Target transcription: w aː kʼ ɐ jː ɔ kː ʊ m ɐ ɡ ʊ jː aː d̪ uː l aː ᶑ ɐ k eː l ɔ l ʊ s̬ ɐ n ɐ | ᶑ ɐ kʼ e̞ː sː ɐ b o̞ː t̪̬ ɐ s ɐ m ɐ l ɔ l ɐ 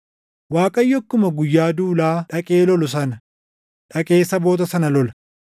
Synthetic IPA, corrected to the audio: w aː kʼ ɐ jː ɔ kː ʊ m ɐ ɡ ʊ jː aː d̪ uː l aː ᶑ ɐ kʼ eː l ɔ l ʊ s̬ ɐ n ɐ | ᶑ ɐ kʼ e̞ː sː ɐ b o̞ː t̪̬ ɐ s ɐ n ɐ l ɔ l ɐ

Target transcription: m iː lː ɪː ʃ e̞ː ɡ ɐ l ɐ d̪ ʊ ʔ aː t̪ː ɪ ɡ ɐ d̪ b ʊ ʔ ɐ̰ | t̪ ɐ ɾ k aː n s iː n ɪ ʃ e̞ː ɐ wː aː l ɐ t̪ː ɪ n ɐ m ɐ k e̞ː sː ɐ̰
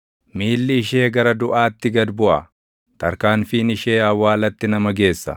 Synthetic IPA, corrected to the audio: m iː lː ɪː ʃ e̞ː ɡ ɐ ɾ ɐ d̪ ʊ ʔ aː t̪ː ɪ ɡ ɐ d̪ b ʊ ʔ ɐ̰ | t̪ ɐ ɾ k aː n f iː n ɪ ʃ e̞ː ɐ wː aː l ɐ t̪ː ɪ n ɐ m ɐ ɡ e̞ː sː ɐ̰

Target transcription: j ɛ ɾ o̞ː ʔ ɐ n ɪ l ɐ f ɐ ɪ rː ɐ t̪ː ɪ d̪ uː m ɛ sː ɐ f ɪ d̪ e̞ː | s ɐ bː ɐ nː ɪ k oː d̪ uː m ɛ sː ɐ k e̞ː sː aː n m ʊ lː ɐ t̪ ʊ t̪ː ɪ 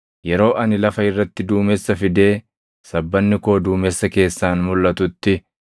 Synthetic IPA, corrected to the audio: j ɛ ɾ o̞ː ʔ ɐ n ɪ l ɐ f ɐ ɪ rː ɐ t̪ː ɪ d̪ uː m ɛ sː ɐ f ɪ d̪ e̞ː | s ɐ bː ɐ nː ɪ k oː d̪ uː m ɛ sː ɐ k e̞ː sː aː n m ʊ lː ɐ t̪ ʊ t̪ː ɪ

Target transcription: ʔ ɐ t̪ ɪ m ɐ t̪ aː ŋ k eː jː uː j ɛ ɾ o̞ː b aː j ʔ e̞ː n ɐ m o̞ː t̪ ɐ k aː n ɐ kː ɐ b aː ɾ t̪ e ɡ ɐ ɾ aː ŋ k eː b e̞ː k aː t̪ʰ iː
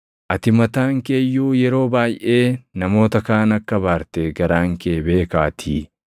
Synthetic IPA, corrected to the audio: ʔ ɐ t̪ ɪ m ɐ t̪ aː ŋ k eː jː uː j ɛ ɾ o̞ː b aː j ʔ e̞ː n ɐ m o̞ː t̪ ɐ k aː n ɐ kː ɐ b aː ɾ t̪ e ɡ ɐ ɾ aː ŋ k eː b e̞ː k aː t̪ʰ iː

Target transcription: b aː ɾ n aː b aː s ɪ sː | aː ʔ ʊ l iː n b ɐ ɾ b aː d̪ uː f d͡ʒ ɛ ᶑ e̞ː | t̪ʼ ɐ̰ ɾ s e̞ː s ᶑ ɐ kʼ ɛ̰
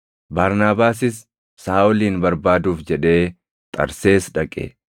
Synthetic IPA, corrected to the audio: b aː ɾ n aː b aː s ɪ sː | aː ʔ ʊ l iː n b ɐ ɾ b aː d̪ uː f d͡ʒ ɛ ᶑ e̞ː | t̪ʼ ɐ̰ ɾ s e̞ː s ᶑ ɐ kʼ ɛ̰

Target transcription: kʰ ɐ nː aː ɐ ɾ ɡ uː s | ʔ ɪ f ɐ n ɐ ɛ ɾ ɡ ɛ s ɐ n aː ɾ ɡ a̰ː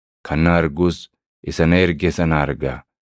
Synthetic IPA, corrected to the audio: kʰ ɐ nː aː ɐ ɾ ɡ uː s | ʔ ɪ s ɐ n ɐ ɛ ɾ ɡ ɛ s ɐ n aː ɾ ɡ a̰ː

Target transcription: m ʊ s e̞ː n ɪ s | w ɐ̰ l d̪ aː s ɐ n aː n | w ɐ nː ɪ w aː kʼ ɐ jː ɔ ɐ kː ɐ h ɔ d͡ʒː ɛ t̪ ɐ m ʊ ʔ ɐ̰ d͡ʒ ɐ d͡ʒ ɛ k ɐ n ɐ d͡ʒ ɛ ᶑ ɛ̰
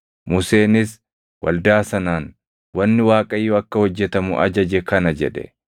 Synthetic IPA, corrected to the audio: m ʊ s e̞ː n ɪ s | w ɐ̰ l d̪ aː s ɐ n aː n | w ɐ nː ɪ w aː kʼ ɐ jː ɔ ɐ kː ɐ h ɔ d͡ʒː ɛ t̪ ɐ m ʊ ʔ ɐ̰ d͡ʒ ɐ d͡ʒ ɛ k ɐ n ɐ d͡ʒ ɛ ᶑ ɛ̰

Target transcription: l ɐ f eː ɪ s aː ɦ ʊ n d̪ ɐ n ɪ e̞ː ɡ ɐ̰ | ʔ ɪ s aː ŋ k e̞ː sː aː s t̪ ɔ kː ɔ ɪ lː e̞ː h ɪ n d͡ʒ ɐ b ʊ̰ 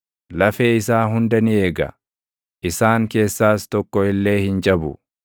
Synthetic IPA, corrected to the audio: l ɐ f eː ɪ s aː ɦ ʊ n d̪ ɐ n ɪ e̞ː ɡ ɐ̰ | ʔ ɪ s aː ŋ k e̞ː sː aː s t̪ ɔ kː ɔ ɪ lː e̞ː h ɪ n d͡ʒ ɐ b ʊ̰

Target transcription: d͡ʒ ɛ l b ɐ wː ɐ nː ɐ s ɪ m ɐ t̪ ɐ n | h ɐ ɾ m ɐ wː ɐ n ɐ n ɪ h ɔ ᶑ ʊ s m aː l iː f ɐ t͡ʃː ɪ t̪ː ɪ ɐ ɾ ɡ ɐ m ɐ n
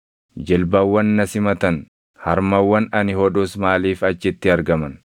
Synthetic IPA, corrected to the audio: d͡ʒ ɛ l b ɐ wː ɐ nː ɐ s ɪ m ɐ t̪ ɐ n | h ɐ ɾ m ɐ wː ɐ n ɐ n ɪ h ɔ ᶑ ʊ s m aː l iː f ɐ t͡ʃː ɪ t̪ː ɪ ɐ ɾ ɡ ɐ m ɐ n

